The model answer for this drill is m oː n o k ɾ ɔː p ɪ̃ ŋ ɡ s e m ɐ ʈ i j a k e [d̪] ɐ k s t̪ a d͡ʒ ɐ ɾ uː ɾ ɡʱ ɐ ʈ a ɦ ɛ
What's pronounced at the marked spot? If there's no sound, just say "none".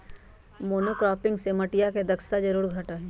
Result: d̪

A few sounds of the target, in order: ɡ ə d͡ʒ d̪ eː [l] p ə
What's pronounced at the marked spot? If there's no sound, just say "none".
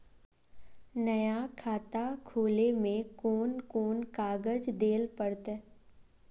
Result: l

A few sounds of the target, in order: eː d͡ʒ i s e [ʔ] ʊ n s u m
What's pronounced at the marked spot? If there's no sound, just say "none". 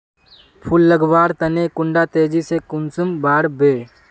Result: k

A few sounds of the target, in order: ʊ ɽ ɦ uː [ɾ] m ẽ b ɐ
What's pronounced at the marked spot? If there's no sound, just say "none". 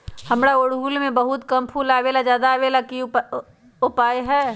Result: l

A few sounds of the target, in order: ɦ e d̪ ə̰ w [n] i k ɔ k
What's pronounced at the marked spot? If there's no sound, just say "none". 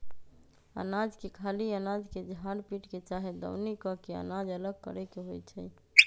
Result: n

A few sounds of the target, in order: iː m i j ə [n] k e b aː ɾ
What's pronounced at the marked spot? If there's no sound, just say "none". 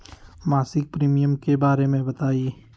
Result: m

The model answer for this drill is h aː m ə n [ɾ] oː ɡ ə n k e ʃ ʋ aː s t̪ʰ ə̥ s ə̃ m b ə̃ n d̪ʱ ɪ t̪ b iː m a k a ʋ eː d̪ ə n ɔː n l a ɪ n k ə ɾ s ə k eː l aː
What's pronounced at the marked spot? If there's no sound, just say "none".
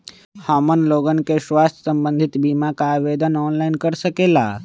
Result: l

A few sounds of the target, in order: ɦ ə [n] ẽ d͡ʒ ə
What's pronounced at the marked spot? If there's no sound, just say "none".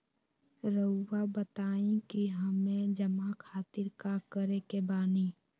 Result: m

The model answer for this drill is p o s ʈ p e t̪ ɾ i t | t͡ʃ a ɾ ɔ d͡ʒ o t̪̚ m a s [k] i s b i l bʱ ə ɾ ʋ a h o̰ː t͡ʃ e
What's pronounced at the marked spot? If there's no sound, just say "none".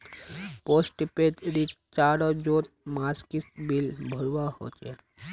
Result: k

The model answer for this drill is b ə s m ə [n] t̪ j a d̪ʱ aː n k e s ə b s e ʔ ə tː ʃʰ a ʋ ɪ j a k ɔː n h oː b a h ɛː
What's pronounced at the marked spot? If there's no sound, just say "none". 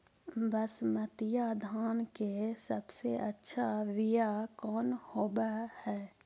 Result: none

